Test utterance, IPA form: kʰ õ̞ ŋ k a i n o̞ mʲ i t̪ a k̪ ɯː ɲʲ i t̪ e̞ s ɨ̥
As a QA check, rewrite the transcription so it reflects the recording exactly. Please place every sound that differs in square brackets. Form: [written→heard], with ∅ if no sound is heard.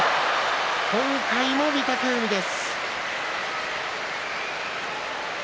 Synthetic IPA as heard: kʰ õ̞ ŋ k a i [n→m] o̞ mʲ i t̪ a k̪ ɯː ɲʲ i [t̪→d̪] e̞ s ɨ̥